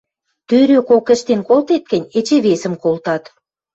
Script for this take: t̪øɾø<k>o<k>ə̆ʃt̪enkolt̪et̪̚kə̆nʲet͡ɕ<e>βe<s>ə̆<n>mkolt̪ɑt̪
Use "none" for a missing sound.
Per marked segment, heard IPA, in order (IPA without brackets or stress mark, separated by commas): k, k, e, s, none